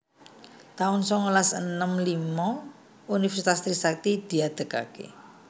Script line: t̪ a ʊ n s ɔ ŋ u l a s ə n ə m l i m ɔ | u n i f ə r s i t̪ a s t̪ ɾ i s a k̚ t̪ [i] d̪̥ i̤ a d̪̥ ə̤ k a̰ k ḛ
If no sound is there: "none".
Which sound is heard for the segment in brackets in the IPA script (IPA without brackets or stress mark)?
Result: i